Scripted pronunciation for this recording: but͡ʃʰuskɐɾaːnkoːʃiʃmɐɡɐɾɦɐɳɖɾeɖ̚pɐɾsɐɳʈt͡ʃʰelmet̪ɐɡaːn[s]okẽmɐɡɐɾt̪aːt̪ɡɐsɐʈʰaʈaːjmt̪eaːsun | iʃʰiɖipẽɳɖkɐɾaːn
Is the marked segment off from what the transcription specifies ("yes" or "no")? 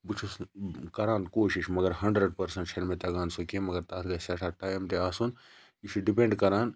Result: no